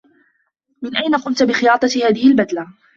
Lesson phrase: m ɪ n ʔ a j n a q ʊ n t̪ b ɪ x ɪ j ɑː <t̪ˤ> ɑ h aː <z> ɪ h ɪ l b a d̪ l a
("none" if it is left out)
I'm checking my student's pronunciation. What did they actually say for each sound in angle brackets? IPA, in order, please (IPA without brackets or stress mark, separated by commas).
t̪ˤ, ð